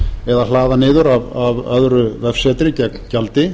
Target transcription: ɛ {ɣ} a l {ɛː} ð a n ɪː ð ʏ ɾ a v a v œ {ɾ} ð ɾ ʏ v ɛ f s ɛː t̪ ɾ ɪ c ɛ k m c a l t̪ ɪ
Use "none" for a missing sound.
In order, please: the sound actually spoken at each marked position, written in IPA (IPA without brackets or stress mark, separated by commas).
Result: ð, aː, none